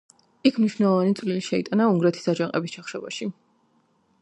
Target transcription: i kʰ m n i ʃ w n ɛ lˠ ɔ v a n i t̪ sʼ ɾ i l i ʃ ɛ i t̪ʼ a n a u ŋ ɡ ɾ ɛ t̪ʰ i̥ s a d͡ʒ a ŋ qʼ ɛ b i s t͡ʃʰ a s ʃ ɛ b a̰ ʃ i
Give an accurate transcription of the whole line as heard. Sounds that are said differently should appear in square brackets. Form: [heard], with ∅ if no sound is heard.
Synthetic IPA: i kʰ m n i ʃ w n ɛ lˠ ɔ v a n i t̪ sʼ [l] i l i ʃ ɛ i t̪ʼ a n a u ŋ ɡ ɾ ɛ t̪ʰ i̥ s a d͡ʒ a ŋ qʼ ɛ b i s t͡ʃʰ a [χ] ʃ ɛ b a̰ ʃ i

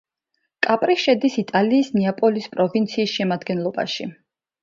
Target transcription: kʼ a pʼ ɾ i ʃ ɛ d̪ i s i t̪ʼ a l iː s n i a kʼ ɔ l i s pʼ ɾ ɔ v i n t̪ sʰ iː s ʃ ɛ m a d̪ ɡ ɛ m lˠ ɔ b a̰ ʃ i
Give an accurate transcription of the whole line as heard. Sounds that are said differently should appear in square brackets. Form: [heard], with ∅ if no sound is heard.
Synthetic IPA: kʼ a pʼ ɾ i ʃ ɛ d̪ i s i t̪ʼ a l iː s n i a [pʼ] ɔ l i s pʼ ɾ ɔ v i n t̪ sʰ iː s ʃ ɛ m a d̪ ɡ ɛ [n] lˠ ɔ b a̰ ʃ i

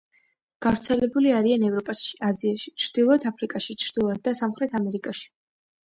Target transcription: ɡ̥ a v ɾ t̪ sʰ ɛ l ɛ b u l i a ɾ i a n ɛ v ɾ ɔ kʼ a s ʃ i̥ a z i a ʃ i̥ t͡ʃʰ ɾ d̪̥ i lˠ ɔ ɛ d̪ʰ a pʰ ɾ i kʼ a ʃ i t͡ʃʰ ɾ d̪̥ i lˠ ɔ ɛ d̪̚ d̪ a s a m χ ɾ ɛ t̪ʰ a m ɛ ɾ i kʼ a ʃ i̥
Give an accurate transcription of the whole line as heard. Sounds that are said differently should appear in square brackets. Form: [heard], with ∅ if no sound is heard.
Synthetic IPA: ɡ̥ a v ɾ t̪ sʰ ɛ l ɛ b u l i a ɾ i a n ɛ v ɾ ɔ [pʼ] a s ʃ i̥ a z i a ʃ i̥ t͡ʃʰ ɾ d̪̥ i lˠ ɔ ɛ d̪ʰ a pʰ ɾ i kʼ a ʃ i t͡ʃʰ ɾ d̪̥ i lˠ ɔ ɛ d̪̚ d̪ a s a m χ ɾ ɛ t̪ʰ a m ɛ ɾ i kʼ a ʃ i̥

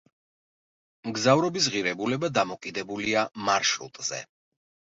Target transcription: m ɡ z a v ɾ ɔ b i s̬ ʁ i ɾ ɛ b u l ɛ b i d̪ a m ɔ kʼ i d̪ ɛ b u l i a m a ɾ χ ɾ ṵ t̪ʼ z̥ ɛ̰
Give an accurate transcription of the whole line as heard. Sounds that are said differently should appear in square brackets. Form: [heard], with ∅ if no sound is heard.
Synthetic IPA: m ɡ z a v ɾ ɔ b i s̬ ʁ i ɾ ɛ b u l ɛ b [a] d̪ a m ɔ kʼ i d̪ ɛ b u l i a m a ɾ [ʃ] ɾ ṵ t̪ʼ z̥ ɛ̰

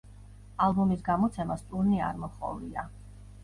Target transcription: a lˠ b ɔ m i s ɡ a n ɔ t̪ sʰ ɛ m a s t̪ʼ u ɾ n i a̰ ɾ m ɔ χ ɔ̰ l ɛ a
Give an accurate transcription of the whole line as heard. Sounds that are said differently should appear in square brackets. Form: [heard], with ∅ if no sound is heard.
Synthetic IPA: a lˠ b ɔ m i s ɡ a [m] ɔ t̪ sʰ ɛ m a s t̪ʼ u ɾ n i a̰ ɾ m ɔ χ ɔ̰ l [i] a

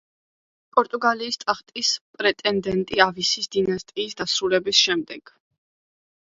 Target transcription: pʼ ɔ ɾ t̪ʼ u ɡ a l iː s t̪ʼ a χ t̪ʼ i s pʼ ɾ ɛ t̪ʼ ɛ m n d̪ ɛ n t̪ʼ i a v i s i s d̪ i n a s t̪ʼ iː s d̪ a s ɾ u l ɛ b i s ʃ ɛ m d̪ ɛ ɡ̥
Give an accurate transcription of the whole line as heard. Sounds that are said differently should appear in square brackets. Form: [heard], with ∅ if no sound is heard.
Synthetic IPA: pʼ ɔ ɾ t̪ʼ u ɡ a l iː s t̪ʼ a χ t̪ʼ i s pʼ ɾ ɛ t̪ʼ ɛ [∅] n d̪ ɛ n t̪ʼ i a v i s i s d̪ i n a s t̪ʼ iː s d̪ a s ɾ u l ɛ b i s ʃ ɛ m d̪ ɛ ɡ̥

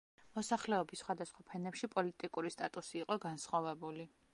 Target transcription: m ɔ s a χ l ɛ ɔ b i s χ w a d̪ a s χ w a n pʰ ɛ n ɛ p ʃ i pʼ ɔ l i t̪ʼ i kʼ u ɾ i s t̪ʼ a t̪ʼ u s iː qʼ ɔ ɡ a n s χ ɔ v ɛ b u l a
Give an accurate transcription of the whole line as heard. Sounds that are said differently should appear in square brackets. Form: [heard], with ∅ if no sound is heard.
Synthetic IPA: m ɔ s a χ l ɛ ɔ b i s χ w a d̪ a s χ w a [∅] pʰ ɛ n ɛ p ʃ i pʼ ɔ l i t̪ʼ i kʼ u ɾ i s t̪ʼ a t̪ʼ u s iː qʼ ɔ ɡ a n s χ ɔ v ɛ b u l [i]

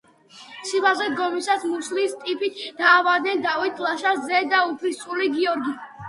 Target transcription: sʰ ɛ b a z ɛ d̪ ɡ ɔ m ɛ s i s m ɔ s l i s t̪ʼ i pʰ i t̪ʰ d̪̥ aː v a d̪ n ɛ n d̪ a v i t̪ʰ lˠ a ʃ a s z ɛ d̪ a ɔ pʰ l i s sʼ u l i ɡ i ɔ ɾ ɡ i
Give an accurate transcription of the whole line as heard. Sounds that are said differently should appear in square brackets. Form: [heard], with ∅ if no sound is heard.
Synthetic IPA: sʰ [i] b a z ɛ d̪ ɡ ɔ m [i] s [a] s m [u] s l i s t̪ʼ i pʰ i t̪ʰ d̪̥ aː v a d̪ n ɛ n d̪ a v i t̪ʰ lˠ a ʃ a s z ɛ d̪ a [u] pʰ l i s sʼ u l i ɡ i ɔ ɾ ɡ i

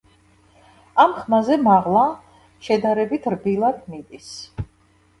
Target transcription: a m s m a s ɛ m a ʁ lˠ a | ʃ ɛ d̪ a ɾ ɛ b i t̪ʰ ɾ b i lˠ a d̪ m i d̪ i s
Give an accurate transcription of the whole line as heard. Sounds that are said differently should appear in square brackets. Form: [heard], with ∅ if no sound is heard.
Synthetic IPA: a m [χ] m a [z] ɛ m a ʁ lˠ a | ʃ ɛ d̪ a ɾ ɛ b i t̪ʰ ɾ b i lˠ a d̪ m i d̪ i s

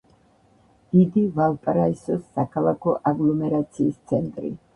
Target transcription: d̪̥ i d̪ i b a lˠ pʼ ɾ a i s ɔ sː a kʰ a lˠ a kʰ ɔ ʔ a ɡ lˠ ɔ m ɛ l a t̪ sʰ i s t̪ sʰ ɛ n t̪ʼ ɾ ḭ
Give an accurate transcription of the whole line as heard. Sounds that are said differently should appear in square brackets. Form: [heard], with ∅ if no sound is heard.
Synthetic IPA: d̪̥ i d̪ i [v] a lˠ pʼ ɾ a i s ɔ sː a kʰ a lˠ a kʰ ɔ ʔ a ɡ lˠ ɔ m ɛ [ɾ] a t̪ sʰ [iː] s t̪ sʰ ɛ n t̪ʼ ɾ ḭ

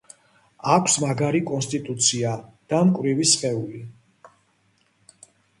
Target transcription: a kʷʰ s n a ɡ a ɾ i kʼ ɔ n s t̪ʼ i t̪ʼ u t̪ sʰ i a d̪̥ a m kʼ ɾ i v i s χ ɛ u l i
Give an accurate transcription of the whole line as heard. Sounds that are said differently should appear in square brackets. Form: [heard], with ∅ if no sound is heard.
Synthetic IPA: a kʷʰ s [m] a ɡ a ɾ i kʼ ɔ n s t̪ʼ i t̪ʼ u t̪ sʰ i a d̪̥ a m kʼ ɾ i v i s χ ɛ u l i

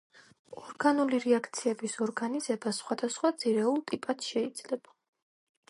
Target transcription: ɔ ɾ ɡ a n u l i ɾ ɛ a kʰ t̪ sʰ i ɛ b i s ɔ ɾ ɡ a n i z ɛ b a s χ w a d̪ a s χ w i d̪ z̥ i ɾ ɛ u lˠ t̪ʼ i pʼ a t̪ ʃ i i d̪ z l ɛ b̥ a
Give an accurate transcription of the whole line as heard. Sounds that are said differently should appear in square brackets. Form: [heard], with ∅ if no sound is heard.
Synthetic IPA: ɔ ɾ ɡ a n u l i ɾ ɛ a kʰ t̪ sʰ i ɛ b i s ɔ ɾ ɡ a n i z ɛ b a s χ w a d̪ a s χ w [a] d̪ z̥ i ɾ ɛ u lˠ t̪ʼ i pʼ a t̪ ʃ [ɛ] i d̪ z l ɛ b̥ a

